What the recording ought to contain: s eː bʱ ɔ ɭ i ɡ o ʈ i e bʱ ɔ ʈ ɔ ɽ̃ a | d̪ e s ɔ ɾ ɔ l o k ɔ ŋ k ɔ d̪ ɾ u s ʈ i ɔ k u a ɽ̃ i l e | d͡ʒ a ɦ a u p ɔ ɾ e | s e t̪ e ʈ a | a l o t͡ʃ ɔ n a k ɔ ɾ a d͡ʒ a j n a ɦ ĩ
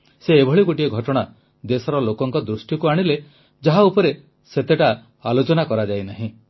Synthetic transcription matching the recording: s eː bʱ ɔ ɭ i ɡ o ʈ i e ɡʱ ɔ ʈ ɔ ɽ̃ a | d̪ e s ɔ ɾ ɔ l o k ɔ ŋ k ɔ d̪ ɾ u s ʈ j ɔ k u a ɽ̃ i l e | d͡ʒ a ɦ a u p ɔ ɾ e | s e t̪ e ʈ a | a l o t͡ʃ ɔ n a k ɔ ɾ a d͡ʒ a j n a ɦ ĩ